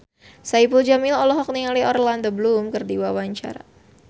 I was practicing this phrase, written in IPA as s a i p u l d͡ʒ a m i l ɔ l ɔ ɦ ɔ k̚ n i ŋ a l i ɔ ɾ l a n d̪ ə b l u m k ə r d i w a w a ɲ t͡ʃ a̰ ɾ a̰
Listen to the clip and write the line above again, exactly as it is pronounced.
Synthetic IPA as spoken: s a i p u l d͡ʒ a m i l ɔ l ɔ ɦ ɔ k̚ n i ŋ a l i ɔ ɾ l a n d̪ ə b l u m k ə r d i w a w a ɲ t͡ʃ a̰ ɾ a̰